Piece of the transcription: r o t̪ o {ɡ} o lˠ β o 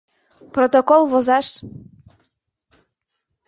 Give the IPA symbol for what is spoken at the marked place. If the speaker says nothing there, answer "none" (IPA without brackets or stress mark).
k